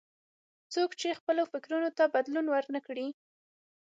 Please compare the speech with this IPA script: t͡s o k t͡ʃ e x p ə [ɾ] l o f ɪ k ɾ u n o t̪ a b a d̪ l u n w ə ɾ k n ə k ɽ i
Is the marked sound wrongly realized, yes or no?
yes